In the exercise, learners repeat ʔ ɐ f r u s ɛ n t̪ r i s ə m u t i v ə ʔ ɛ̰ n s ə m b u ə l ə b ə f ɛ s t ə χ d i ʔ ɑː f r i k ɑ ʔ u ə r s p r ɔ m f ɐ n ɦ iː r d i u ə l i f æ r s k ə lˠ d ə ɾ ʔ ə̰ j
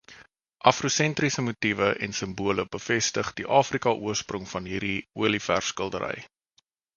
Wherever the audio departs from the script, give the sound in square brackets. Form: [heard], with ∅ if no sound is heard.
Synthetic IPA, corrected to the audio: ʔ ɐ f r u s ɛ n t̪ r i s ə m u t i v ə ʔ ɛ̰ n s ə m b u ə l ə b ə f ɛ s t ə χ d i ʔ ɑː f r i k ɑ ʔ u ə r s p r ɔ [ŋ] f ɐ n ɦ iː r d i u ə l i f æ r s k ə lˠ d ə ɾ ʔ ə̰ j